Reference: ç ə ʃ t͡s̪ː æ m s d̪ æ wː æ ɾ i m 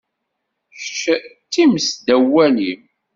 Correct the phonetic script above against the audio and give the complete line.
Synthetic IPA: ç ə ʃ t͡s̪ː i m s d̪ æ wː æ l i m

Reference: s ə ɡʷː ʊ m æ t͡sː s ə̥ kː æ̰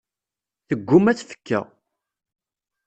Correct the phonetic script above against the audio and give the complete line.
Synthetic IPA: θ ə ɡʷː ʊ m æ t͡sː f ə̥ kː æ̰

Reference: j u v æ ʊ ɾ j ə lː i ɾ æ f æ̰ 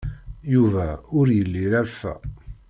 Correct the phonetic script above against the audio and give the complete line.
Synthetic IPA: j u v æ ʊ ɾ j ə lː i ɾ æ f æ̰

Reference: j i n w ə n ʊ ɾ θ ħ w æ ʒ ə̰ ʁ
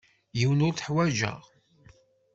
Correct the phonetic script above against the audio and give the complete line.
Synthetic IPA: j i w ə n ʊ ɾ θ ħ w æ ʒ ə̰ ʁ

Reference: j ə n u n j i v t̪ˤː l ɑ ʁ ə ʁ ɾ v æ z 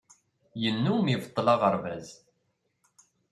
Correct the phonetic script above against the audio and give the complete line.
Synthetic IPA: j ə nː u m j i v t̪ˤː l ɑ ʁ ə ɾ v æ z

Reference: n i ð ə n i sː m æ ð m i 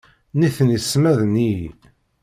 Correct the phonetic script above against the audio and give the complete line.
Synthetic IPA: n i θ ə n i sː m æ ð n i

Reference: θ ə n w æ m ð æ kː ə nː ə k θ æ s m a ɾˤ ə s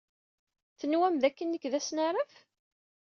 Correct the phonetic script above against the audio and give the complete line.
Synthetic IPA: θ ə n w æ m ð æ kː ə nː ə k ð æ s n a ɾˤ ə f

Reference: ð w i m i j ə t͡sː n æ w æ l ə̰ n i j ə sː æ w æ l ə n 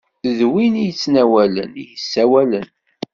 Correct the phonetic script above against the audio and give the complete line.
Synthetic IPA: ð w i n i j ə t͡sː n æ w æ l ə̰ n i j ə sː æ w æ l ə n

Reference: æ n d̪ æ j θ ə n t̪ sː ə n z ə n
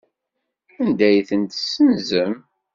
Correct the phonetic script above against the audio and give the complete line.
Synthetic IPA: æ n d̪ æ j θ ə n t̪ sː ə n z ə m

